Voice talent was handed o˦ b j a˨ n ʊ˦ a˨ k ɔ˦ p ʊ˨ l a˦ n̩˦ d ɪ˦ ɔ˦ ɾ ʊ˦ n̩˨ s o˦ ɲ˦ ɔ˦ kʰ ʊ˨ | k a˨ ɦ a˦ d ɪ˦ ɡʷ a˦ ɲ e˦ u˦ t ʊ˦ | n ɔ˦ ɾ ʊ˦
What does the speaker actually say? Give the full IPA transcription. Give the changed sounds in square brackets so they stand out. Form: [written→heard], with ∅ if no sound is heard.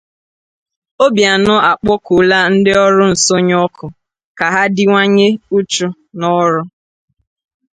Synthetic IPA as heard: o˦ b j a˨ n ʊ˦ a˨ [k→k͡p] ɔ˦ [p→k] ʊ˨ l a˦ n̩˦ d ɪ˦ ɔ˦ ɾ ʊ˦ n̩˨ s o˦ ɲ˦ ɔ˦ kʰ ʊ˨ | k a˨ ɦ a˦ d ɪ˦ [ɡʷ→ŋʷ] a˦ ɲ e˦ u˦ [t→t͡ʃ] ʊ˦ | n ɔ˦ ɾ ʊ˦